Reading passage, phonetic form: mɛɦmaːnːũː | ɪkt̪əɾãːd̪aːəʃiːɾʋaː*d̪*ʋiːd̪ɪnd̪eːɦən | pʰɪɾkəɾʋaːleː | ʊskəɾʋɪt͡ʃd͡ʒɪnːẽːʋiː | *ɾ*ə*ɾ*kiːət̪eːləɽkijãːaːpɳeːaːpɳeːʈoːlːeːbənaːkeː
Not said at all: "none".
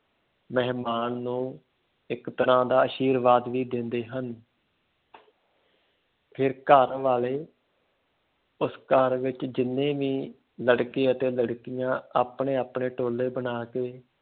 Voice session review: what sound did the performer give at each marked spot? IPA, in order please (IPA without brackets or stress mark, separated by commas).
d̪, l, ɽ